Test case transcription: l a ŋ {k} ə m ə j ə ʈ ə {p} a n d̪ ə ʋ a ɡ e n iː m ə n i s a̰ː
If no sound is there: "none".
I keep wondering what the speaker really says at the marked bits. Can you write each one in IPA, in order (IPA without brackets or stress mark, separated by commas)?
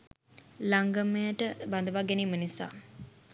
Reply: ɡ, b